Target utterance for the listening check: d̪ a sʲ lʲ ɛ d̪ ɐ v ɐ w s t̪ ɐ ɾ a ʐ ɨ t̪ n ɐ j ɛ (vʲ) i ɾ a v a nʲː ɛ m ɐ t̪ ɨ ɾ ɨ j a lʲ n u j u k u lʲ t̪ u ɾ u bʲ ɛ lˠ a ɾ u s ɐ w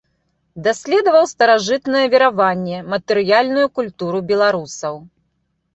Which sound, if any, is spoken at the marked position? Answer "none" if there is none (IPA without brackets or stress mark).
vʲ